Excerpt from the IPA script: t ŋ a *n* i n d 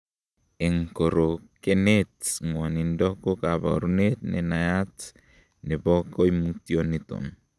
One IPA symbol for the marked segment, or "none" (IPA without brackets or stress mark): n